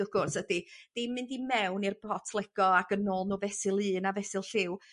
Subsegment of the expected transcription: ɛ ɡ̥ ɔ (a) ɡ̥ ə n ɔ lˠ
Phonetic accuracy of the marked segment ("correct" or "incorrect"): correct